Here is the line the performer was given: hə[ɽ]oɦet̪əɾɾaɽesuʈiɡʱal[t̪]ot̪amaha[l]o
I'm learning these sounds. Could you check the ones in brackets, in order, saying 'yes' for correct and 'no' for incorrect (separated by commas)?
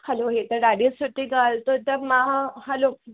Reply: no, yes, yes